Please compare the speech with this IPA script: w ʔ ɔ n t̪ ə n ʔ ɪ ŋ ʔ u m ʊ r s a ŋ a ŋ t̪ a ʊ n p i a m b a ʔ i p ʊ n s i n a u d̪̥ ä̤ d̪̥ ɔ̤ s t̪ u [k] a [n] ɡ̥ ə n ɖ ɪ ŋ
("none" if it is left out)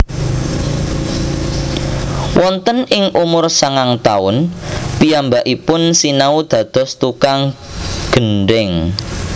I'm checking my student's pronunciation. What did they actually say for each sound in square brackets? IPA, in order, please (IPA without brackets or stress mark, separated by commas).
k, ŋ